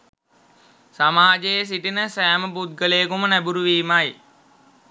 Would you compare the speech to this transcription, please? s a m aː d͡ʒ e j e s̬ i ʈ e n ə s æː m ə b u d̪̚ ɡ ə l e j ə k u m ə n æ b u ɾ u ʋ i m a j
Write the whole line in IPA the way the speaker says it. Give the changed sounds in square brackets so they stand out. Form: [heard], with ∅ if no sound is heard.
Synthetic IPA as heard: s a m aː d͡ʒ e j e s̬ i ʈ [i] n ə s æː m ə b u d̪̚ ɡ ə l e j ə k u m ə n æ b u ɾ u ʋ [iː] m a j